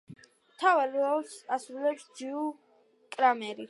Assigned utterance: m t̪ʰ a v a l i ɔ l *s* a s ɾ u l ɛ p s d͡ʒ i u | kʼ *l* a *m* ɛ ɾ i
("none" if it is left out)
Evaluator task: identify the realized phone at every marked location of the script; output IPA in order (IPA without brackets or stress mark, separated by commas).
s, ɾ, m